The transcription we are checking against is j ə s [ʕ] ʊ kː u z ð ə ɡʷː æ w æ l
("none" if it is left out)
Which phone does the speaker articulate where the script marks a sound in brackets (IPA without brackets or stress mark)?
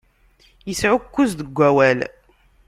ʕ